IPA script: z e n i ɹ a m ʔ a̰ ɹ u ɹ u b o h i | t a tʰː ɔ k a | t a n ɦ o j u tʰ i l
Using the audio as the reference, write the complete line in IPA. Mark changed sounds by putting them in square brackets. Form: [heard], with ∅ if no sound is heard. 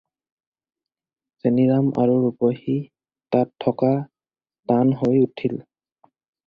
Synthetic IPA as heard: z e n i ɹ a m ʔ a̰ ɹ u ɹ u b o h i | t a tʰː ɔ k a | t a n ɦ o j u tʰ i l